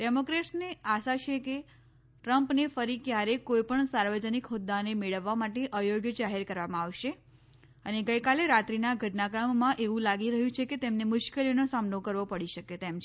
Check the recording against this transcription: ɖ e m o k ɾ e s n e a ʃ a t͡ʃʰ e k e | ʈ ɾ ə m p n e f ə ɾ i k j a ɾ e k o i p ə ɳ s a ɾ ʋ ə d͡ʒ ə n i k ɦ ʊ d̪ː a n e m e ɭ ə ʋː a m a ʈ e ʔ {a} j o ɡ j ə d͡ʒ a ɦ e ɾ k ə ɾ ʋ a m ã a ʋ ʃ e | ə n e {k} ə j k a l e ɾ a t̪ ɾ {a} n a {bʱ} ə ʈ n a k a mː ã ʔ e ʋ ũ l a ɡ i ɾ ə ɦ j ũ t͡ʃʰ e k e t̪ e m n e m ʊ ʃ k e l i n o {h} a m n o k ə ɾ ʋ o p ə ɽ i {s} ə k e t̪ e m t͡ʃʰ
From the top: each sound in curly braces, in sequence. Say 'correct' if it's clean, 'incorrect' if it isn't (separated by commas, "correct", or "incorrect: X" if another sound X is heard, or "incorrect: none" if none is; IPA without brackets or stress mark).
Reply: incorrect: ə, incorrect: ɡ, incorrect: i, incorrect: ɡʱ, incorrect: s, incorrect: ʃ